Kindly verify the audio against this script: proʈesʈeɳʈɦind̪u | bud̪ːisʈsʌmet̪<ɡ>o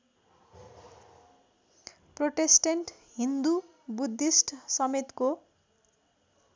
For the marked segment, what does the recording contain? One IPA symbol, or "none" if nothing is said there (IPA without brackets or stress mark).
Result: k